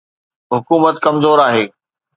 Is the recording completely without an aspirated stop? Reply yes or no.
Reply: yes